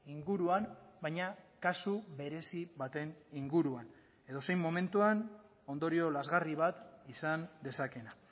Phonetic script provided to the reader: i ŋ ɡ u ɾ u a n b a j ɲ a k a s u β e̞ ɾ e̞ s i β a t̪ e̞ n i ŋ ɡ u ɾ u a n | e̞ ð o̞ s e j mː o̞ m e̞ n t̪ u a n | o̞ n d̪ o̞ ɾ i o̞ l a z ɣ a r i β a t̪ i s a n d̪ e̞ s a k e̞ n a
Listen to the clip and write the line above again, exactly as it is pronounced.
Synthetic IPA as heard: i ŋ ɡ u ɾ u a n b a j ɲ a k a s u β e̞ ɾ e̞ s i β a t̪ e̞ n i ŋ ɡ u ɾ u a n | e̞ ð o̞ s e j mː o̞ m e̞ n t̪ u a n | o̞ n d̪ o̞ ɾ i o̞ l a z ɣ a r i β a t̪ i s a n d̪ e̞ s a k e̞ n a